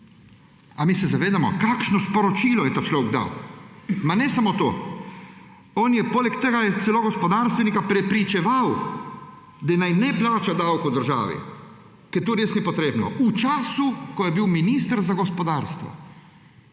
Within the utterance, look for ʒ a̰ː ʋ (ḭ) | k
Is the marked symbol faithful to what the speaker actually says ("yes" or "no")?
yes